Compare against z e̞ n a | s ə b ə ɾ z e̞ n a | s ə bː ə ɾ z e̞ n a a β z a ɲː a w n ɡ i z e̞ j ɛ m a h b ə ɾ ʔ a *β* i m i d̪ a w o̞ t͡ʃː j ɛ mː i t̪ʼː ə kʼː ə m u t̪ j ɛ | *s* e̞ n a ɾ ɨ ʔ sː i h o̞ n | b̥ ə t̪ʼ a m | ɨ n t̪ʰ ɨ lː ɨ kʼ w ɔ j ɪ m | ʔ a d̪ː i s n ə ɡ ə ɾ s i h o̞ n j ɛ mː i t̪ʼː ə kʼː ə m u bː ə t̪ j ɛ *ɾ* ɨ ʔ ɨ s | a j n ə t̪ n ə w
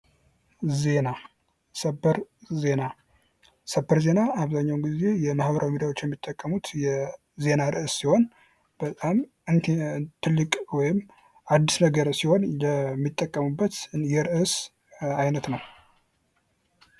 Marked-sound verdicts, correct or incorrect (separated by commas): incorrect, incorrect, correct